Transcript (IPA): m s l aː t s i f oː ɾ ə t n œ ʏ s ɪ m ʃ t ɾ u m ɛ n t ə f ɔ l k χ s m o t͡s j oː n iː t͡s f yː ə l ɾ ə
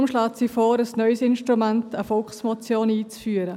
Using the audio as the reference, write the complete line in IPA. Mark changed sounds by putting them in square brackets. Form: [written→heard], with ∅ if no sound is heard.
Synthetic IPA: m [s→ʃ] l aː t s i f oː ɾ ə [t→s] n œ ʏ s ɪ [m→n] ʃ t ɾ u m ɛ n t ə f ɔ l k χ s m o t͡s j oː n iː t͡s f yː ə [l→∅] ɾ ə